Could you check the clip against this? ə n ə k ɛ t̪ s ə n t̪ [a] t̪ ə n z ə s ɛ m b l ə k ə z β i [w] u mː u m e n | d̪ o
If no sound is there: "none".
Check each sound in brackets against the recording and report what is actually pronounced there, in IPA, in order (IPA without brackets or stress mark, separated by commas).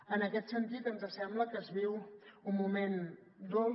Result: i, w